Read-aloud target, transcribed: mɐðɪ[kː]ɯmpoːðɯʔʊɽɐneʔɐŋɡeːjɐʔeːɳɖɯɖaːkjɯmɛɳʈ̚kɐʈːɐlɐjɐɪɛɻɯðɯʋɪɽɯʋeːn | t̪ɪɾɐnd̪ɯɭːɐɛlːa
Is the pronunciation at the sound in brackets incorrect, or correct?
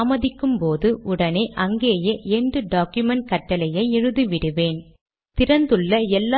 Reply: correct